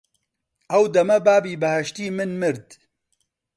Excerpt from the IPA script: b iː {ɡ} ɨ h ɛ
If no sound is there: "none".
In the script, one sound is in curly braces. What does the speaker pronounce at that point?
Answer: b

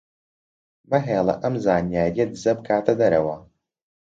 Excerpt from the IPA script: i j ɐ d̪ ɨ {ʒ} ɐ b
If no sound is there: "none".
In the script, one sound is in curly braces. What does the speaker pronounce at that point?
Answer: z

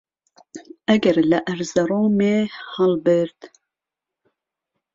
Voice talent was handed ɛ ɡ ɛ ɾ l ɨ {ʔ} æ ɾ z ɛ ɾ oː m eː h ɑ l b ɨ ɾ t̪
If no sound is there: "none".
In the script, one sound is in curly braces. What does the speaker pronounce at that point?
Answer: ʔ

